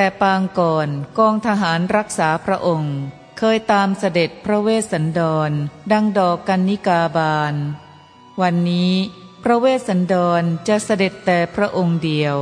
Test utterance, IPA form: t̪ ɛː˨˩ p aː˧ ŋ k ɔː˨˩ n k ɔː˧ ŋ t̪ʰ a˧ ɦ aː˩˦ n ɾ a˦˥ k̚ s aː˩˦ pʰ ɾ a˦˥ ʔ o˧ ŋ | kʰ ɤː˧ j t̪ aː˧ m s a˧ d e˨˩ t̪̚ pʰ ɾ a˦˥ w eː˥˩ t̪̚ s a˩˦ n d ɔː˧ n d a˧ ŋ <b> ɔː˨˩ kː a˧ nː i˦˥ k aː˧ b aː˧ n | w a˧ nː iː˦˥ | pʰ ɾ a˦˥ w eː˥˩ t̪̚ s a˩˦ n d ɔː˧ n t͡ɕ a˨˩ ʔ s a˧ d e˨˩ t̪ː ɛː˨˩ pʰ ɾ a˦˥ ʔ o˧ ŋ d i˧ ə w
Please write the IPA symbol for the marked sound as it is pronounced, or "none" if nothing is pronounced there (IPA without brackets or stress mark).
d